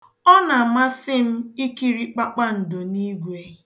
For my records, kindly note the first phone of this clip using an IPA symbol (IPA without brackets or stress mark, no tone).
ɔ